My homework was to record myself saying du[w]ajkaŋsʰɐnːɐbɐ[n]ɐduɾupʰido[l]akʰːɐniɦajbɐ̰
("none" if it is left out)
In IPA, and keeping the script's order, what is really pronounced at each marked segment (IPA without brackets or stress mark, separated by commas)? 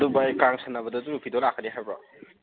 b, d, l